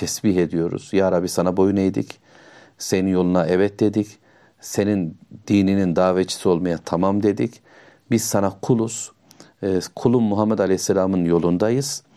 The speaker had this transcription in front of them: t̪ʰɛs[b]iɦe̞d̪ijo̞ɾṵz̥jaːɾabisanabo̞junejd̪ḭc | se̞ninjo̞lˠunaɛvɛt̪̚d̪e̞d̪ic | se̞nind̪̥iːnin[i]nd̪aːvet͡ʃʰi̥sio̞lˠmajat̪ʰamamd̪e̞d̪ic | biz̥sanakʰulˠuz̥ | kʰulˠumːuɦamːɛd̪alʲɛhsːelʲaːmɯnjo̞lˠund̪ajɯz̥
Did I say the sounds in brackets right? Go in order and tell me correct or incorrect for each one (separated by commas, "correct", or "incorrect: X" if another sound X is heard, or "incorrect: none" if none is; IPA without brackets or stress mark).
correct, correct